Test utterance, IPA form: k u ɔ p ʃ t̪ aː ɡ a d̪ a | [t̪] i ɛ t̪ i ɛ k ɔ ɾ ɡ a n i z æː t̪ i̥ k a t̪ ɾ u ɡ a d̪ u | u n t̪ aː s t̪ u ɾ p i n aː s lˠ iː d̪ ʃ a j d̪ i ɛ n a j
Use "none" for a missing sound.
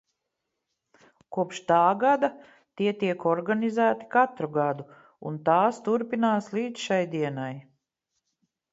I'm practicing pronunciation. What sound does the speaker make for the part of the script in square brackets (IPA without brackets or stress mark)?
t̪